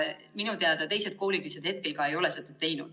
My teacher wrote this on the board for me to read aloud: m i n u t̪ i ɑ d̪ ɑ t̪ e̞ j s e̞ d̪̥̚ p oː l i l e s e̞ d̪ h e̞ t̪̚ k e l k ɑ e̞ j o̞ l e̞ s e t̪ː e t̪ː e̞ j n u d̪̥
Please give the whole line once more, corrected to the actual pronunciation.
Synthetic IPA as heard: m i n u t̪ e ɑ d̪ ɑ t̪ e̞ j s e̞ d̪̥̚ k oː l i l i s e̞ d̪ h e̞ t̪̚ k e l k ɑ e̞ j o̞ l e̞ s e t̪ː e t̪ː e̞ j n u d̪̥